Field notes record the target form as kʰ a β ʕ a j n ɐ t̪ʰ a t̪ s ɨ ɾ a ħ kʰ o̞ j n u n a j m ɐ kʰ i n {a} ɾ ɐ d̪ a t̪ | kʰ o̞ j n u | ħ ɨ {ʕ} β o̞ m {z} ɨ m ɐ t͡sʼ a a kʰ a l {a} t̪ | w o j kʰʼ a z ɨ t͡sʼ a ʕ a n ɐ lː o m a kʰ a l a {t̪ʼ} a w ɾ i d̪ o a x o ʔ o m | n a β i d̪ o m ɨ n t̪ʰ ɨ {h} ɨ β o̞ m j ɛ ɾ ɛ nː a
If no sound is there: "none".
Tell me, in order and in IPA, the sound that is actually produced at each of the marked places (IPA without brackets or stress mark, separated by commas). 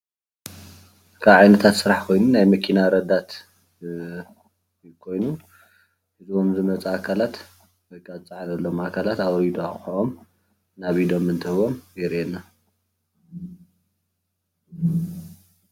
a, z, z, a, t̪, h